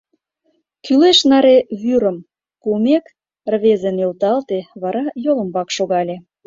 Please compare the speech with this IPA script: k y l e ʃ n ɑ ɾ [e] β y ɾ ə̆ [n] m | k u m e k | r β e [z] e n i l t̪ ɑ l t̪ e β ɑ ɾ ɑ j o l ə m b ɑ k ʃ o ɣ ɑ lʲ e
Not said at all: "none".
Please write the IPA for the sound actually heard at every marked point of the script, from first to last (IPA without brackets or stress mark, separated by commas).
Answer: e, none, z